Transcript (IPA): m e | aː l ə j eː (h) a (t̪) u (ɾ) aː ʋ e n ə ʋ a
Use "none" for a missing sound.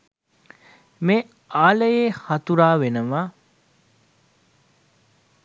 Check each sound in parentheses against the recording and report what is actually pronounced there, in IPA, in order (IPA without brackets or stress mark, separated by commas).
h, t̪, ɾ